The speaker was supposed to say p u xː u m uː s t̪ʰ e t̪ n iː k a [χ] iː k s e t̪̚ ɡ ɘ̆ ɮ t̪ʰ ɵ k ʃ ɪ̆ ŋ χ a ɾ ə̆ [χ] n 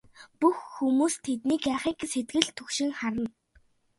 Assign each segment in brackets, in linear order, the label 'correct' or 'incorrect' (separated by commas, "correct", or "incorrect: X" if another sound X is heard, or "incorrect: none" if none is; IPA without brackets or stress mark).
correct, incorrect: none